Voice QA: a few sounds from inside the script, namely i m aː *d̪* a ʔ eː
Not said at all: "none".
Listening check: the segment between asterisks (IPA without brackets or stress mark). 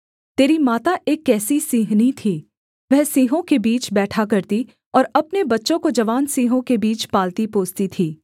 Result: t̪